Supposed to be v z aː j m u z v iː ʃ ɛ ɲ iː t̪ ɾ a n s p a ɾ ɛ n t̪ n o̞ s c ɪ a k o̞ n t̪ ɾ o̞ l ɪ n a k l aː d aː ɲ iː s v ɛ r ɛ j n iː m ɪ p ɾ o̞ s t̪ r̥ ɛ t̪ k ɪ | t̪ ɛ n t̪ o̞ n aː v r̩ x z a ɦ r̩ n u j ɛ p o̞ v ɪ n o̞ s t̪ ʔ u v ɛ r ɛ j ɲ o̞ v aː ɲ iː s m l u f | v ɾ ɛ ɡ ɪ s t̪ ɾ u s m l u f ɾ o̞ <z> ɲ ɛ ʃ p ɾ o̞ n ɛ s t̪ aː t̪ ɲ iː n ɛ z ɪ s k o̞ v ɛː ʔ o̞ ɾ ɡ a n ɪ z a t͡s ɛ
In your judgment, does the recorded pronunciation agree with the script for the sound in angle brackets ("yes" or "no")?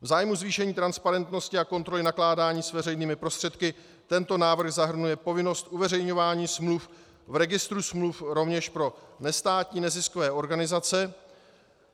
no